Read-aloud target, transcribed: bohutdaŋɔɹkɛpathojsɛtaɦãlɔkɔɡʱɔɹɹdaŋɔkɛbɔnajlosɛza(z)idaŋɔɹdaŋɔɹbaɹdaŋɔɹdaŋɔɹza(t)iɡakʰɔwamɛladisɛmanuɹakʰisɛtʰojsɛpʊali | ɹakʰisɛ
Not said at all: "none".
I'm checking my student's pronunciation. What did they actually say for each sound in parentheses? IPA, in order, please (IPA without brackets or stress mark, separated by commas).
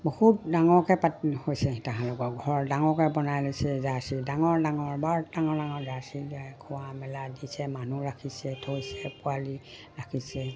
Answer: s, s